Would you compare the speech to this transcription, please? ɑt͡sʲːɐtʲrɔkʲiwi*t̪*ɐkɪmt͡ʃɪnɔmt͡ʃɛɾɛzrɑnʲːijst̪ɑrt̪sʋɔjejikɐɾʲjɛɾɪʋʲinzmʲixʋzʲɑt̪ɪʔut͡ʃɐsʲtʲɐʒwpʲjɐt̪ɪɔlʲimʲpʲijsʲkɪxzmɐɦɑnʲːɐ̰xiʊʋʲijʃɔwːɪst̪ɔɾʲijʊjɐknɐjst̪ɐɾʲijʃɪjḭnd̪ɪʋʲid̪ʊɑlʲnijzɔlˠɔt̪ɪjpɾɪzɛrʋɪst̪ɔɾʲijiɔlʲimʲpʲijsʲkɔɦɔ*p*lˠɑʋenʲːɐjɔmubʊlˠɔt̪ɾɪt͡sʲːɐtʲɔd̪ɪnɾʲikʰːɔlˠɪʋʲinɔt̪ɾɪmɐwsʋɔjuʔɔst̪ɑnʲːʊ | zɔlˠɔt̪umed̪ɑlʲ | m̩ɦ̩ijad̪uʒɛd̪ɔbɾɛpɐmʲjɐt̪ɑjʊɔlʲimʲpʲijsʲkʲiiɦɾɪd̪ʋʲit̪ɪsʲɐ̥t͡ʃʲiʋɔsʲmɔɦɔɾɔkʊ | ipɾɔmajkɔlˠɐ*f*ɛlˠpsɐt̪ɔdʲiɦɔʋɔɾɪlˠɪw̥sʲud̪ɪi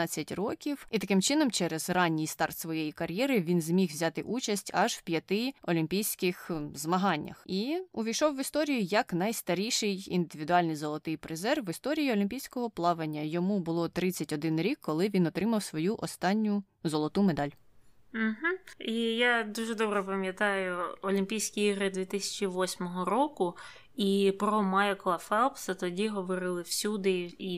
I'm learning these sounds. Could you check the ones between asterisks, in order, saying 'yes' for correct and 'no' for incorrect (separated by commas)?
yes, yes, yes